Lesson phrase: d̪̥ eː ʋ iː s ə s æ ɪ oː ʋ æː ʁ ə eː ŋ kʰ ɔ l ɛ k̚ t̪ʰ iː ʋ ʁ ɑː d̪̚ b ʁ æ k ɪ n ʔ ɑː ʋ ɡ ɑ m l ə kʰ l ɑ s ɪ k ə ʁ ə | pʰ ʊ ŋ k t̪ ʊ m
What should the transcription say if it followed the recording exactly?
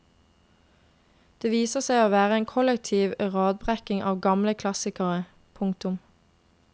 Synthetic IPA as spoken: d̪̥ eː ʋ iː s ə s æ ɪ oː ʋ æː ʁ ə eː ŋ kʰ ɔ l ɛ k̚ t̪ʰ iː ʋ ʁ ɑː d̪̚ b ʁ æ k ɪ ŋ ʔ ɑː ʋ ɡ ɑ m l ə kʰ l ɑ s ɪ k ə ʁ ə | pʰ ʊ ŋ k t̪ ʊ m